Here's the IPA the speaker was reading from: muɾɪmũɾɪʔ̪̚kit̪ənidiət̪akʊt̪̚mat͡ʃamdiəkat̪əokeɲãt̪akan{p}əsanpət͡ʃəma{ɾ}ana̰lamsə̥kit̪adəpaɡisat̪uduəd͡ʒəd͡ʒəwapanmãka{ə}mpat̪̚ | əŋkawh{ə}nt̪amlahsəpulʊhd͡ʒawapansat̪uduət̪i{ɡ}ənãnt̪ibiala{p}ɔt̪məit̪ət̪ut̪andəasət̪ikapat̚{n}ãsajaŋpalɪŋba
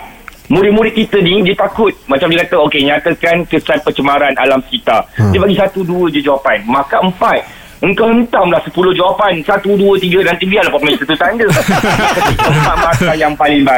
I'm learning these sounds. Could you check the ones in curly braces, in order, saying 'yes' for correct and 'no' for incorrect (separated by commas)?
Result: no, yes, yes, yes, yes, yes, no